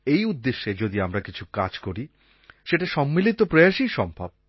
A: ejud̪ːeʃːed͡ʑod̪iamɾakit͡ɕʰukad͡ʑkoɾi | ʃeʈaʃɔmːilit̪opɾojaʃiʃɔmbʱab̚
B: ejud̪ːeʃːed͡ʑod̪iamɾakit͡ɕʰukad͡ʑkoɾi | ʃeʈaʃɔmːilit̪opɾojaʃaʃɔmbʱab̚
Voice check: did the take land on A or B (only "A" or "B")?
A